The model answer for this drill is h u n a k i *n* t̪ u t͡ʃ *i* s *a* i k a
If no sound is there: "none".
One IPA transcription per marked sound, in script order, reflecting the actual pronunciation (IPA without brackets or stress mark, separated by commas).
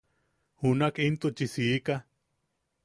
n, i, i